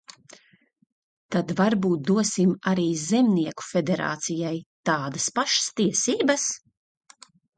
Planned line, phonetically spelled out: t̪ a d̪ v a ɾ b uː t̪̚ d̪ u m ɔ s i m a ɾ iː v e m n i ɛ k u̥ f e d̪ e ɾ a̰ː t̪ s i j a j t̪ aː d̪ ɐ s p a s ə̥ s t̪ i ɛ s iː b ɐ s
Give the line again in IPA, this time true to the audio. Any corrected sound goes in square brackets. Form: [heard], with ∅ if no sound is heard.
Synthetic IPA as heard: t̪ a d̪ v a ɾ b uː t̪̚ d̪ u [∅] ɔ s i m a ɾ iː [z] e m n i ɛ k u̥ f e d̪ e ɾ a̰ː t̪ s i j a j t̪ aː d̪ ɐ s p a [ʃ] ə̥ s t̪ i ɛ s iː b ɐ s